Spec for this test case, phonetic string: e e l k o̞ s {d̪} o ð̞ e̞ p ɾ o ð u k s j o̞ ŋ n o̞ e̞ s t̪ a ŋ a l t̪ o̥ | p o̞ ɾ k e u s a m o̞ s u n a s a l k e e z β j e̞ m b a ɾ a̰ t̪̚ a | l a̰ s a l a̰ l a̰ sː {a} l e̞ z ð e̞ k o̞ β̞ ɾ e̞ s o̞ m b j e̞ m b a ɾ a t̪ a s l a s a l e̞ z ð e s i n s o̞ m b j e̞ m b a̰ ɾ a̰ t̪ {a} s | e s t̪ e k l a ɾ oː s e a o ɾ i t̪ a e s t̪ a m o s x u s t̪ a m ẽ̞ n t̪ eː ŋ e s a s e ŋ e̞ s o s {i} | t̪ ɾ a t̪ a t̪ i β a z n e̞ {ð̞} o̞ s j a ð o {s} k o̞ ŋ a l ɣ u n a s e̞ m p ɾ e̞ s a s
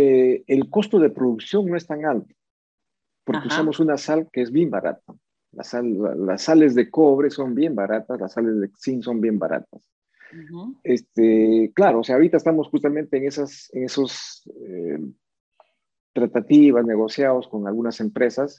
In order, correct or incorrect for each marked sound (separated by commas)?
incorrect, correct, correct, incorrect, incorrect, correct